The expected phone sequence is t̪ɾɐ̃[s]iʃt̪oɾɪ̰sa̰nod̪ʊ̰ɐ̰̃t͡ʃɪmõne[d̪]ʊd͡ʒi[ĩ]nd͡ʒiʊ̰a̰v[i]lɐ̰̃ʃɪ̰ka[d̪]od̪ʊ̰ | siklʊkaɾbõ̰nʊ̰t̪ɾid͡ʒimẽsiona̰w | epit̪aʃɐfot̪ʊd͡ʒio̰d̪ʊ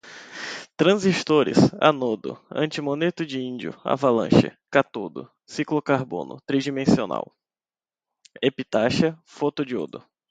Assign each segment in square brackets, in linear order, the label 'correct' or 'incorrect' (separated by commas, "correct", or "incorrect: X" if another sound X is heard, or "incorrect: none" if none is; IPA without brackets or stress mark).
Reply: incorrect: z, incorrect: t̪, correct, incorrect: a, incorrect: t̪